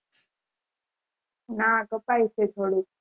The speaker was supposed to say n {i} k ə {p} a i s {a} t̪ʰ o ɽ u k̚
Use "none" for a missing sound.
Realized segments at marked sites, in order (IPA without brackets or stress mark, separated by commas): a, p, e